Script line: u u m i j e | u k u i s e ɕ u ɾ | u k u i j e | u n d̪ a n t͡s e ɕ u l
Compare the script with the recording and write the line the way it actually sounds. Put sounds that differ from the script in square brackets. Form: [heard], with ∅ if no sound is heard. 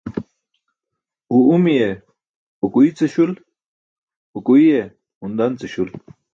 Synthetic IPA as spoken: u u m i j e | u k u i [t͡s] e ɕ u [l] | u k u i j e | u n d̪ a n t͡s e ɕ u l